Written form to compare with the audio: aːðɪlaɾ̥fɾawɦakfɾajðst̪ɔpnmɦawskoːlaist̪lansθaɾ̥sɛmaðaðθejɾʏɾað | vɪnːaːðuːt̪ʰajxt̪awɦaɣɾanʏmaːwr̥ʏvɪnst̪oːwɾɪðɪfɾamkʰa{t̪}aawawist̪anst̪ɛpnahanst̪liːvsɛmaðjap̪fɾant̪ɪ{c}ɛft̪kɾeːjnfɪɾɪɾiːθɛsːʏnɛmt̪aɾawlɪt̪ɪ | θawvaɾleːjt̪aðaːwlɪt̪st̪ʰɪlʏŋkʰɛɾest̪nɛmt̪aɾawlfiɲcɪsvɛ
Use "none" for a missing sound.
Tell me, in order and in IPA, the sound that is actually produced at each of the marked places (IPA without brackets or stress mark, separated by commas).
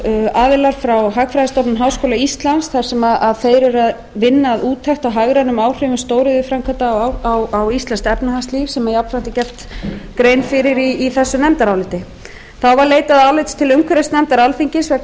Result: t̪, c